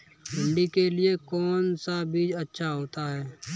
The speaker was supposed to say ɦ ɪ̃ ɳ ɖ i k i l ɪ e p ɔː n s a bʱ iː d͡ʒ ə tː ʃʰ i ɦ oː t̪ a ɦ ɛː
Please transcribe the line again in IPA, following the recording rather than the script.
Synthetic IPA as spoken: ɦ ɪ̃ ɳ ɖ i k e l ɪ e k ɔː n s a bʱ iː d͡ʒ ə tː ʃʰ a ɦ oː t̪ a ɦ ɛː

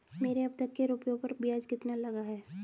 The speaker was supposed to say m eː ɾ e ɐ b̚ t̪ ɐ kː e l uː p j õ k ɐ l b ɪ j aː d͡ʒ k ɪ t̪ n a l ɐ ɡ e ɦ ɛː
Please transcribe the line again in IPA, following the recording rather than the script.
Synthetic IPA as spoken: m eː ɾ e ɐ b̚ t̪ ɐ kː e ɾ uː p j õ p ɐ ɾ b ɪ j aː d͡ʒ k ɪ t̪ n a l ɐ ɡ a ɦ ɛː

